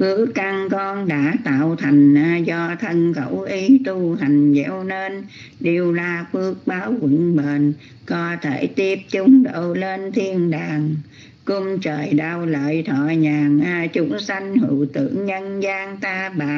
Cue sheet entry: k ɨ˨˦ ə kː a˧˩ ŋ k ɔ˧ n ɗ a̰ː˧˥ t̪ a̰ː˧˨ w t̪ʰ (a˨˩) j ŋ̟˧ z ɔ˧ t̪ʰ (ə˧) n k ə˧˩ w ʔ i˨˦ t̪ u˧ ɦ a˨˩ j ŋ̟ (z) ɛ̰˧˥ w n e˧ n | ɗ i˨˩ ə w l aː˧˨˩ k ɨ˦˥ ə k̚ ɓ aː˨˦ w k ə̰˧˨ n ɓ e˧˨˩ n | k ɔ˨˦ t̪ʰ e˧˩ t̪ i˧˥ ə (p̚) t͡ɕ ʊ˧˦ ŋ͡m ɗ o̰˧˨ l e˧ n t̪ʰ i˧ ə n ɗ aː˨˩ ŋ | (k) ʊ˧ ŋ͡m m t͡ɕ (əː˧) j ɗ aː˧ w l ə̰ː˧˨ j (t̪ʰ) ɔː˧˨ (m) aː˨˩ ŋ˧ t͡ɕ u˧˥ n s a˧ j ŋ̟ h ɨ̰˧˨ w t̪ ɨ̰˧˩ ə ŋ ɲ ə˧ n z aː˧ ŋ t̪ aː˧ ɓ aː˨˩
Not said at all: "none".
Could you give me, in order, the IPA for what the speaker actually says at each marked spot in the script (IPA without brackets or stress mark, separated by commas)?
a˨˩, ə˧, z, p̚, k, əː˨˩, t̪ʰ, ɲ